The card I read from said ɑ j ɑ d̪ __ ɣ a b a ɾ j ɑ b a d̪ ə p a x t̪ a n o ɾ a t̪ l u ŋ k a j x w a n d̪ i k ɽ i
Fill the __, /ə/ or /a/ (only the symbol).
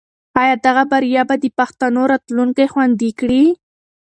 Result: a